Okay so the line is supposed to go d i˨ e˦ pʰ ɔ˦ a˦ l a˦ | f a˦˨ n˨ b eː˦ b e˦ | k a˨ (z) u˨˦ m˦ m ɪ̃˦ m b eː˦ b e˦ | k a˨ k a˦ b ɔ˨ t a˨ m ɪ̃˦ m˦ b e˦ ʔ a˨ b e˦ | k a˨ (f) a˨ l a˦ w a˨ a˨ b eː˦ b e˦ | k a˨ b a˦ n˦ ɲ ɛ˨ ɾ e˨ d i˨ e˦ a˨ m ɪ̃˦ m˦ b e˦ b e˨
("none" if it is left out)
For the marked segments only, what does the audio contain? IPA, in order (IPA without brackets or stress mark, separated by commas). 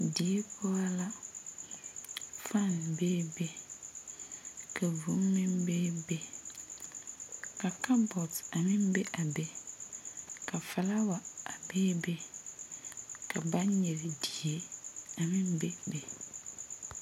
v, f